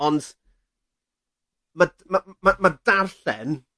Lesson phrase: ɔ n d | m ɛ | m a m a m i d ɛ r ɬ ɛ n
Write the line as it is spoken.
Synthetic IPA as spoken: ɔ n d | m a | m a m a m a d a r ɬ ɛ n